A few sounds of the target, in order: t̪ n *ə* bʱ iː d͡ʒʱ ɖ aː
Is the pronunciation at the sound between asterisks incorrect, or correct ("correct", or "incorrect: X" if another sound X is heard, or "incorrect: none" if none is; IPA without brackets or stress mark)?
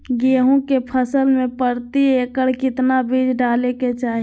incorrect: a